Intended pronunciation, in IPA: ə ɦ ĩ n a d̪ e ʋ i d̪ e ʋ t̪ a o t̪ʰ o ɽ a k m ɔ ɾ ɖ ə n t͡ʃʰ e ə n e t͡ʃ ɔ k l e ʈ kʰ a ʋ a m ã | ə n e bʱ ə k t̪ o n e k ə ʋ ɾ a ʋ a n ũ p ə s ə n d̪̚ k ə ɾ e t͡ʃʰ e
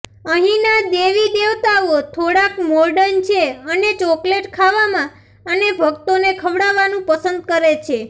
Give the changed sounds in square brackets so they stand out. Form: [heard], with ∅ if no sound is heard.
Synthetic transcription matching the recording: ə ɦ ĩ n a d̪ e ʋ i d̪ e ʋ t̪ a o t̪ʰ o ɽ a k m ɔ ɾ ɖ ə n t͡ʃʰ e ə n e t͡ʃ ɔ k l e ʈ kʰ a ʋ a m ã | ə n e bʱ ə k t̪ o n e [kʰ] ə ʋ [ɽ] a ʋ a n ũ p ə s ə n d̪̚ k ə ɾ e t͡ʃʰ e